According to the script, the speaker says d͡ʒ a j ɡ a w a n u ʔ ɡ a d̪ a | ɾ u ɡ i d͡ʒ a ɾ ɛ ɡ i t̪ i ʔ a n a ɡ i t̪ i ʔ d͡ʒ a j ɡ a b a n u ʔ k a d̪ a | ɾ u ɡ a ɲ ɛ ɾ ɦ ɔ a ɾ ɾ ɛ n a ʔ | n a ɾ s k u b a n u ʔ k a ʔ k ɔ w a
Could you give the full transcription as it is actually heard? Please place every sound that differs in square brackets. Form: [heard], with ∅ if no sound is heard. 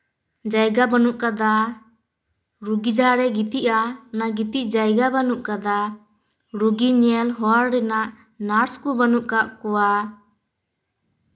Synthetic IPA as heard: d͡ʒ a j ɡ a [b] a n u ʔ [k] a d̪ a | ɾ u ɡ i d͡ʒ a ɾ ɛ ɡ i t̪ i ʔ a n a ɡ i t̪ i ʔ d͡ʒ a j ɡ a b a n u ʔ k a d̪ a | ɾ u ɡ [i] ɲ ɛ [l] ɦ ɔ a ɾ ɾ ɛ n a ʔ | n a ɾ s k u b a n u ʔ k a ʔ k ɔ w a